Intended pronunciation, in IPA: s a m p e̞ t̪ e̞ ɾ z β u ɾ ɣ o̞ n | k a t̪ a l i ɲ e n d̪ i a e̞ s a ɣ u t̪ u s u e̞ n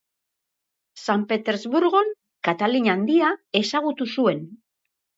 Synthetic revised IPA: s a m p e̞ t̪ e̞ ɾ z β u ɾ ɣ o̞ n | k a t̪ a l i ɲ a n d̪ i a e̞ s a ɣ u t̪ u s u e̞ n